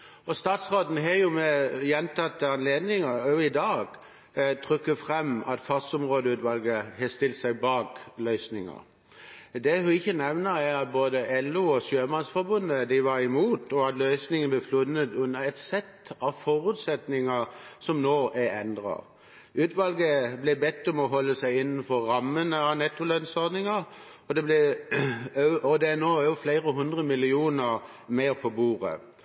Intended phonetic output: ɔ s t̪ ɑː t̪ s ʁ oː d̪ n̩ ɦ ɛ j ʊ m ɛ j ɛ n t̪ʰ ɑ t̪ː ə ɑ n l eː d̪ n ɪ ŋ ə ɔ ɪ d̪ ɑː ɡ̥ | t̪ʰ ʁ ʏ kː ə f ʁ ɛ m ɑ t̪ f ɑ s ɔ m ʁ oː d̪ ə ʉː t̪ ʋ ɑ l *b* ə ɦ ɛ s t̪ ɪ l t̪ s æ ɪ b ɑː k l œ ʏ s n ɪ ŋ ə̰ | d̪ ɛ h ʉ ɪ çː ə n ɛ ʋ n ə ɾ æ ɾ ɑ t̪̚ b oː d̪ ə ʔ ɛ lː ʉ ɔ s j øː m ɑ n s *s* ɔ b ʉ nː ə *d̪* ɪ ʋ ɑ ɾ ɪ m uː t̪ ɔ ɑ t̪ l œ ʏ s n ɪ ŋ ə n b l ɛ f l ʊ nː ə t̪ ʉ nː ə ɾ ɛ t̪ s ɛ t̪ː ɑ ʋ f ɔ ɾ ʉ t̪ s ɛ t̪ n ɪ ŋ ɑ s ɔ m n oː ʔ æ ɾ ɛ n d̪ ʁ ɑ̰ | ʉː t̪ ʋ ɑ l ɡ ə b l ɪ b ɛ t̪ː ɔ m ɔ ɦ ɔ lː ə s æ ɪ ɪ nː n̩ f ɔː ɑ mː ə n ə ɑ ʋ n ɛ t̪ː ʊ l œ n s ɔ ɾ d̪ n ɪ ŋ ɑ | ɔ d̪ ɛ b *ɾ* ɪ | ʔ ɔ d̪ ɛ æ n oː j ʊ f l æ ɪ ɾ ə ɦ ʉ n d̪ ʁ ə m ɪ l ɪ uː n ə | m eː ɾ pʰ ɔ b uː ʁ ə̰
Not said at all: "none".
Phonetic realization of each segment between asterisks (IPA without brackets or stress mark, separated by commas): ɡ, f, d̪, l